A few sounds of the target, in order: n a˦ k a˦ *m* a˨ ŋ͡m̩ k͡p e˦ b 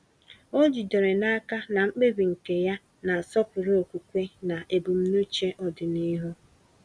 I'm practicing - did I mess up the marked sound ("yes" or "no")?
yes